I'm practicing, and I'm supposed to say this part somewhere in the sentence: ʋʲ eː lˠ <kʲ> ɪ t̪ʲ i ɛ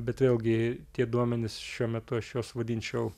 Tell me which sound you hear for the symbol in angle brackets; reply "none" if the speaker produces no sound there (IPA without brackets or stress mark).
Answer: ɡʲ